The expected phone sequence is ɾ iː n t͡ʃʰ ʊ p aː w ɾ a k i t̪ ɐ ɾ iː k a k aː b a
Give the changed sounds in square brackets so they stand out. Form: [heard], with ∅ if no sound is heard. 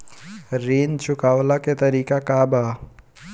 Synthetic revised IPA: ɾ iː n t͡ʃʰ ʊ [k] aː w [l] a k [e] t̪ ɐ ɾ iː k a k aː b a